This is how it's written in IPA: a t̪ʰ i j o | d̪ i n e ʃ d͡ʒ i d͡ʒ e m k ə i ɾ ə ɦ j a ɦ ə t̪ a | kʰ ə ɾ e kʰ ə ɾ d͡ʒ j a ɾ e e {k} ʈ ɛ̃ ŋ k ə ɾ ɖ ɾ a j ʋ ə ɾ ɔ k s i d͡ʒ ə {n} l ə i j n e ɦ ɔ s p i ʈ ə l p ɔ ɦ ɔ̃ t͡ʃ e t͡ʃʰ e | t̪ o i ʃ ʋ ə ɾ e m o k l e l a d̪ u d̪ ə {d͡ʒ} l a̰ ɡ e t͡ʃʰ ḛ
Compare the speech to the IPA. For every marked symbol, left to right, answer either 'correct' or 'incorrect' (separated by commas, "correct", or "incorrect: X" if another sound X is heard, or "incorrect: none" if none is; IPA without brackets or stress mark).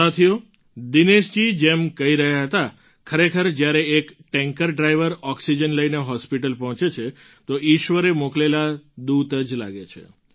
correct, correct, correct